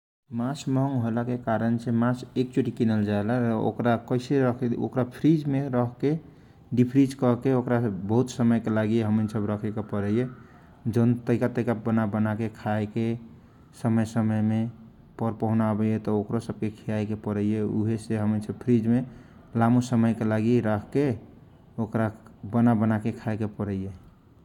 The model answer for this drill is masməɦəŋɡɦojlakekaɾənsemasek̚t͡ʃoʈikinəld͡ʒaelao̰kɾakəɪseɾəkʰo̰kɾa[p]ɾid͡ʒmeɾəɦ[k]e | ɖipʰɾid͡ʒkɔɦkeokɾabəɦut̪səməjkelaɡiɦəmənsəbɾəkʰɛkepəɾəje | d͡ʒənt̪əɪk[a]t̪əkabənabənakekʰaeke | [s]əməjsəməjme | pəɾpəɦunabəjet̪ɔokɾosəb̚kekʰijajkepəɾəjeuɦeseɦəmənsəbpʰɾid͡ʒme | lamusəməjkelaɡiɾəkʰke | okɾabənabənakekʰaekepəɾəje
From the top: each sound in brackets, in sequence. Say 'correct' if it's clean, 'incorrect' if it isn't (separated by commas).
incorrect, correct, correct, correct